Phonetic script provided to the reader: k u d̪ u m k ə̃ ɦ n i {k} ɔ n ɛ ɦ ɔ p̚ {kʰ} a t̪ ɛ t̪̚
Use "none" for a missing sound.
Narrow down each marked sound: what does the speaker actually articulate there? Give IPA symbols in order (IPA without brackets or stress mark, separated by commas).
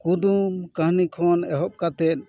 kʰ, k